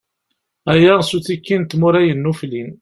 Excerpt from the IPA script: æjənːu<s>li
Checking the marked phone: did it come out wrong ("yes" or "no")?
yes